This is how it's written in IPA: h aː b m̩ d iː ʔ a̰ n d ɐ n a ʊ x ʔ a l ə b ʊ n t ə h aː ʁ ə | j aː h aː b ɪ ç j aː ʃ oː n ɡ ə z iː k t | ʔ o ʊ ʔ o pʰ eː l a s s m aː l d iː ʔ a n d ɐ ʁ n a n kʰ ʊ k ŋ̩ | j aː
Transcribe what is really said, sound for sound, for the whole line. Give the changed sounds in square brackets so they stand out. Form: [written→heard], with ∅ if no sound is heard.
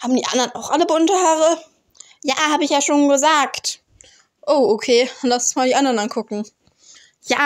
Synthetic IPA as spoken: h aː b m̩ d iː ʔ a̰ n d ɐ n a ʊ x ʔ a l ə b ʊ n t ə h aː ʁ ə | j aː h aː b ɪ ç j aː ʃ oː n ɡ ə z [iː→aː] k t | ʔ o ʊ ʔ o [pʰ→kʰ] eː l a s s m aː l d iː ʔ a n d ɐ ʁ n a n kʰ ʊ k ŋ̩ | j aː